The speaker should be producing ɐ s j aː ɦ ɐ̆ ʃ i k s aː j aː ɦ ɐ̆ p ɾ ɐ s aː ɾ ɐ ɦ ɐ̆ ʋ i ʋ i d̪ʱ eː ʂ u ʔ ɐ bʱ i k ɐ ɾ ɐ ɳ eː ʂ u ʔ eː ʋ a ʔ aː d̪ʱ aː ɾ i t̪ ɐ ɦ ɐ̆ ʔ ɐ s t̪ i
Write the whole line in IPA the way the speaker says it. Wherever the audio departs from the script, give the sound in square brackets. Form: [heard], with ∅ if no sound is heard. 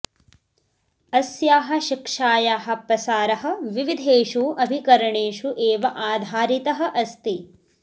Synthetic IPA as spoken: ɐ s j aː ɦ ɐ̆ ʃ i k [ʂ] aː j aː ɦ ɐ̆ p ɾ ɐ s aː ɾ ɐ ɦ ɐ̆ ʋ i ʋ i d̪ʱ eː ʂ u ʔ ɐ bʱ i k ɐ ɾ ɐ ɳ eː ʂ u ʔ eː ʋ [ɐ] ʔ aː d̪ʱ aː ɾ i t̪ ɐ ɦ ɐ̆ ʔ ɐ s t̪ i